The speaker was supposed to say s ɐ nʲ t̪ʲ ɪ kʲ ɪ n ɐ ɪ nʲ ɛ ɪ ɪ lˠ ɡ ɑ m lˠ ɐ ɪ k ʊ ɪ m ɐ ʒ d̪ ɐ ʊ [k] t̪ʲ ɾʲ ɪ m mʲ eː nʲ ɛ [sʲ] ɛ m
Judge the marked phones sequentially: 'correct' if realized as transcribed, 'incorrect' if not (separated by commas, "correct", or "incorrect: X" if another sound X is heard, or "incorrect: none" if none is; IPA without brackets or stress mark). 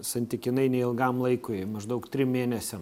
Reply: correct, correct